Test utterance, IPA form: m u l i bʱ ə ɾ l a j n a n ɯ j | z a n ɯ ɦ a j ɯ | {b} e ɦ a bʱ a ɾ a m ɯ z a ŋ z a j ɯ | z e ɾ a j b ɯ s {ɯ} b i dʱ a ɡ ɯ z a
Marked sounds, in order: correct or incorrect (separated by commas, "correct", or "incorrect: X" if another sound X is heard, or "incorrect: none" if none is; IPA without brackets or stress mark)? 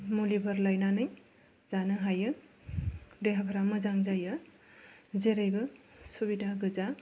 incorrect: d, incorrect: u